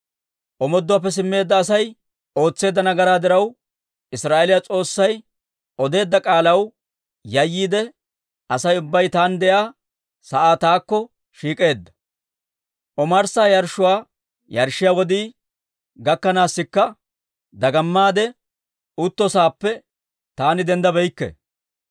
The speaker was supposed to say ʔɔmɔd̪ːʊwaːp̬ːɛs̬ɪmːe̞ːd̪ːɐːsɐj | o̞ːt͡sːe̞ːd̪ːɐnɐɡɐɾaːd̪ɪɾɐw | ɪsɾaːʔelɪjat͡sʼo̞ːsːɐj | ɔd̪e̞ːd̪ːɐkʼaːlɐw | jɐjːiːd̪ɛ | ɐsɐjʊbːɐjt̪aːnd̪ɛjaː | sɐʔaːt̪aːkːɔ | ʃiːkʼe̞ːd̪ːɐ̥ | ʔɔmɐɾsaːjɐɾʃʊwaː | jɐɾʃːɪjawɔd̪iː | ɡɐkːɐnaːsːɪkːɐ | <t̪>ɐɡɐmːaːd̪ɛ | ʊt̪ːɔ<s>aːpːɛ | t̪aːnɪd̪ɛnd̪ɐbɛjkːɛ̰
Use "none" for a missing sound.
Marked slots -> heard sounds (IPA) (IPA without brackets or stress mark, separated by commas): d̪, s